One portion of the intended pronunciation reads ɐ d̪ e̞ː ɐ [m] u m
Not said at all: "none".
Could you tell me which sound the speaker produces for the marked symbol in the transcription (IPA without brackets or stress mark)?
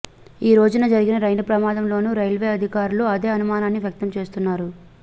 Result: n